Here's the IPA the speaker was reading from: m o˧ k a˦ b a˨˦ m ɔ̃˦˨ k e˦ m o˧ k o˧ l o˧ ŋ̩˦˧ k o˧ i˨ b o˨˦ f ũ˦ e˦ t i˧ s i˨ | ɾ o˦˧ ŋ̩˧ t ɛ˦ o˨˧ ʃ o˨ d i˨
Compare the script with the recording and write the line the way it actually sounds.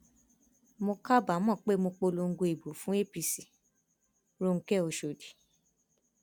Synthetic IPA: m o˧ k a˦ b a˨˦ m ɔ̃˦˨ k͡p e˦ m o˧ k͡p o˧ l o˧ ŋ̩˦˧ ɡ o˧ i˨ b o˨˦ f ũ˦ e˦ p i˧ s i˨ | ɾ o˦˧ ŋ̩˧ k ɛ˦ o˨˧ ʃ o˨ d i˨